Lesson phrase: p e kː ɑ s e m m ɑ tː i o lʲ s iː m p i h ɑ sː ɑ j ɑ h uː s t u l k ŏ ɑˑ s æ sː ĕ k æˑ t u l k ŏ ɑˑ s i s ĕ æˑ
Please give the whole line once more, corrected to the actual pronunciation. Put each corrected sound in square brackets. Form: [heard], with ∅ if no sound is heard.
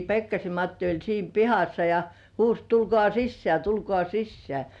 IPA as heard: p e kː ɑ s e m m ɑ tː i o lʲ s iː m p i h ɑ sː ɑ j ɑ h uː s t u l k ŏ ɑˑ s [i] sː ĕ [∅] æˑ t u l k ŏ ɑˑ s i [sː] ĕ æˑ